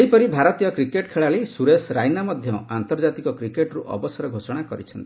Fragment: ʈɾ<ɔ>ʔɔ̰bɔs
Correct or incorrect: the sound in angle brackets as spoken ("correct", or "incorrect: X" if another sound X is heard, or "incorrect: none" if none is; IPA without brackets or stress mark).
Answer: incorrect: u